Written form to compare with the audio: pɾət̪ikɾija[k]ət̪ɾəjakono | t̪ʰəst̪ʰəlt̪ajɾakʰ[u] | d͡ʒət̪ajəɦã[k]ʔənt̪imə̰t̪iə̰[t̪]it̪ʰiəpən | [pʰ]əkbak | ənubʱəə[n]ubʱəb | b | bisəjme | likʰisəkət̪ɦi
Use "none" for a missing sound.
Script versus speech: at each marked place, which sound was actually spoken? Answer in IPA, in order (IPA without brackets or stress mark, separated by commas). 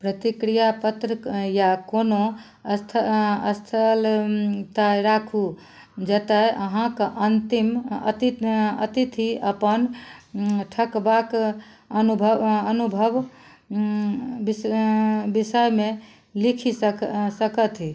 p, u, k, t̪, ʈʰ, n